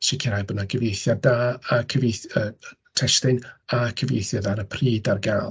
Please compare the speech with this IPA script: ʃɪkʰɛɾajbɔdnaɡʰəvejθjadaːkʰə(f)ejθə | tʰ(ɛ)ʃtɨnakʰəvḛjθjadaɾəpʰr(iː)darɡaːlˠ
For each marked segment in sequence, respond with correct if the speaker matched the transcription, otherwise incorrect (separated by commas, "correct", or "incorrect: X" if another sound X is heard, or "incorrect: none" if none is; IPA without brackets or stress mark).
incorrect: v, correct, correct